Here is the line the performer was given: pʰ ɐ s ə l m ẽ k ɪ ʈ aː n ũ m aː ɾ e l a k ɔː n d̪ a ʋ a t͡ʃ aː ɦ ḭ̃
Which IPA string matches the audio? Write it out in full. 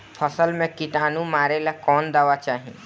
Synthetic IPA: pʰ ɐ s ə l m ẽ k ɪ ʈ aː n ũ m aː ɾ e l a k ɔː n d̪ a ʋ a t͡ʃ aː ɦ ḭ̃